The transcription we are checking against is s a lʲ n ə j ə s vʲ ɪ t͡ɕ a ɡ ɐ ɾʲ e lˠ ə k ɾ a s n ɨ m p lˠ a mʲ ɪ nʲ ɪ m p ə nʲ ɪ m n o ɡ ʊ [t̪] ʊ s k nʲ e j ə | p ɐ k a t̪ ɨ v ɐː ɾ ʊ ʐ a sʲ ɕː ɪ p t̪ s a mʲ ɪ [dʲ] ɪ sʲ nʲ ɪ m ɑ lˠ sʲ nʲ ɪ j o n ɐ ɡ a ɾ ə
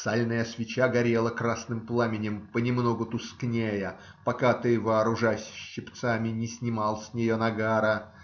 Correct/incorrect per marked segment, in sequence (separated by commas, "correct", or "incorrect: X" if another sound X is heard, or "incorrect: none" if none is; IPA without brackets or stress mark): correct, incorrect: nʲ